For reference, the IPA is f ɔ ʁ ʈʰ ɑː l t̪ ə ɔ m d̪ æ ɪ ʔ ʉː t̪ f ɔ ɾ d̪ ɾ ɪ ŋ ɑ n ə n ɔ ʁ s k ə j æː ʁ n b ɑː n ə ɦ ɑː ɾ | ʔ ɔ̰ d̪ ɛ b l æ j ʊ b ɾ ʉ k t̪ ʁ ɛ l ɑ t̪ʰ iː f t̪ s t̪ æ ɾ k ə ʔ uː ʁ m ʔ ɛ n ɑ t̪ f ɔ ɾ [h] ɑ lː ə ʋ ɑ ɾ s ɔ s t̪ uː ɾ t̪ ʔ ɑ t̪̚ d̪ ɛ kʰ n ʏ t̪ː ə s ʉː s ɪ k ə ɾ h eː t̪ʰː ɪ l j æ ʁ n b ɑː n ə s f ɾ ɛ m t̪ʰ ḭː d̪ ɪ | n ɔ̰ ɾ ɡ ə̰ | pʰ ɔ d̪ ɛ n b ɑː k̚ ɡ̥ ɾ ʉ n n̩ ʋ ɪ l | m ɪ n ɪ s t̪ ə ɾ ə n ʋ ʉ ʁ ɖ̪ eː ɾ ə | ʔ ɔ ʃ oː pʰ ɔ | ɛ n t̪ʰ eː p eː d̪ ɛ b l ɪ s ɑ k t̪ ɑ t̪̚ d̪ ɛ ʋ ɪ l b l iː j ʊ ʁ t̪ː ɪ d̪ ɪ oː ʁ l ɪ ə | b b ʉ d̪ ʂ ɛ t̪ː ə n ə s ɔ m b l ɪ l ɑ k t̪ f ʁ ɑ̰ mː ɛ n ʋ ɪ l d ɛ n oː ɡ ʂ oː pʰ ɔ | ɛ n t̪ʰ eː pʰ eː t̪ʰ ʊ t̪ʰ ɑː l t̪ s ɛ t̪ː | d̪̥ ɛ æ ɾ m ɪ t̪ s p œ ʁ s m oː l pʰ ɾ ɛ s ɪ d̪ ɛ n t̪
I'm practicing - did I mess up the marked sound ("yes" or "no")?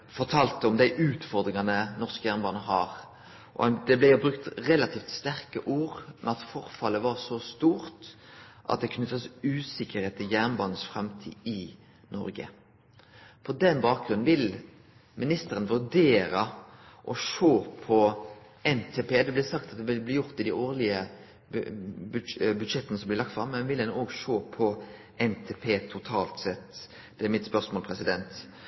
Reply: yes